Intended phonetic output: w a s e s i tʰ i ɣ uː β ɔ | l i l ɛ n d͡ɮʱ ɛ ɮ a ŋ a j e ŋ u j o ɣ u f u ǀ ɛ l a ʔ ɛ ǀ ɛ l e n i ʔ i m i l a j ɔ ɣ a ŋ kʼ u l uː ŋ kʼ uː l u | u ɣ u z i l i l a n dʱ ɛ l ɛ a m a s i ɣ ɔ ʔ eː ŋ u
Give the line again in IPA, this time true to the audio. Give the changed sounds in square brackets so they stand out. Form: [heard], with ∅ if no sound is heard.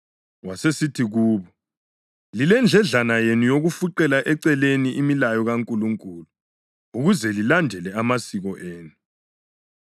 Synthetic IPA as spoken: w a s e s i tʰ i ɣ uː β ɔ | l i l ɛ n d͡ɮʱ ɛ ɮ a [n] a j e [n] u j o ɣ u f u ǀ ɛ l a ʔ ɛ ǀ ɛ l e n i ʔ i m i l a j ɔ ɣ a ŋ kʼ u l [u] ŋ kʼ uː l u | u ɣ u z [ɛ] l i l a n dʱ ɛ l ɛ a m a s i ɣ ɔ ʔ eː [n] u